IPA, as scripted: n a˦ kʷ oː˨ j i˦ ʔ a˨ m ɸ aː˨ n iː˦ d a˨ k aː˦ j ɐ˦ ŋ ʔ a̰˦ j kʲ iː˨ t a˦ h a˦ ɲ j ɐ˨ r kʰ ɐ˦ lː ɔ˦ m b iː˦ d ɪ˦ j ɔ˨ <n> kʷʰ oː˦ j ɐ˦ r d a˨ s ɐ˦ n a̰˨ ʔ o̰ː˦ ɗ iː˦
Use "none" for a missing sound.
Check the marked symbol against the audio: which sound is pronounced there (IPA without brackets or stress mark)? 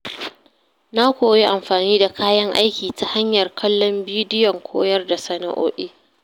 ŋ